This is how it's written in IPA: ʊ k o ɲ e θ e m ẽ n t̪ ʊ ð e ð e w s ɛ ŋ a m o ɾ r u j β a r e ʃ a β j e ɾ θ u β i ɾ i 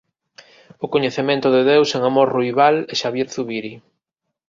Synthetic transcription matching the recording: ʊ k o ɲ e θ e m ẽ n t̪ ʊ ð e ð e w s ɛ ŋ a m o ɾ r u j β a l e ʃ a β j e ɾ θ u β i ɾ i